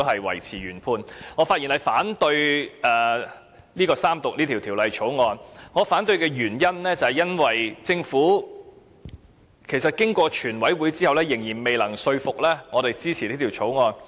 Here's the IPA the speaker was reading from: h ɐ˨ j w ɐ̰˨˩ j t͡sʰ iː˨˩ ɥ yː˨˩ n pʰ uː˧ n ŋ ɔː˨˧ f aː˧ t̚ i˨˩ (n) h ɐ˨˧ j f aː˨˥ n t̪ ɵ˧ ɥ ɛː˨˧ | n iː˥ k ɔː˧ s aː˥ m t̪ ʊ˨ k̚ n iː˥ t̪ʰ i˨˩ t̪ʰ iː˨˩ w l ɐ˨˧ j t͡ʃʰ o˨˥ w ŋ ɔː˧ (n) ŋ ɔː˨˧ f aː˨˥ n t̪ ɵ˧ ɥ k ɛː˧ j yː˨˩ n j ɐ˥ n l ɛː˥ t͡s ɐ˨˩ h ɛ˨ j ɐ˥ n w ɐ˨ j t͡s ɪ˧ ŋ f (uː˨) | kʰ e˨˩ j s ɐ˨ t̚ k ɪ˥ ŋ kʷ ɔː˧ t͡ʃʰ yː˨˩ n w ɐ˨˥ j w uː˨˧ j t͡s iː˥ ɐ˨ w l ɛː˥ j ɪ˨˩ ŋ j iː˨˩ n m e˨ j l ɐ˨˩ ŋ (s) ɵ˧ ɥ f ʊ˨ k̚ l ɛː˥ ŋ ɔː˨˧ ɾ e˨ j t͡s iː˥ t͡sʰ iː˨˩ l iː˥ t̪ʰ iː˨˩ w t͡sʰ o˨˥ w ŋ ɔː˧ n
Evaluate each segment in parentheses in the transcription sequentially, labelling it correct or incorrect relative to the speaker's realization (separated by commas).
correct, correct, incorrect, correct